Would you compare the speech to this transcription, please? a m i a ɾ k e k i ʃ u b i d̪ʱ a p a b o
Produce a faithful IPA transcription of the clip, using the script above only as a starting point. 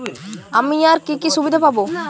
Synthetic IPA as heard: a m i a ɾ k i k i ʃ u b i d̪ʱ a p a b o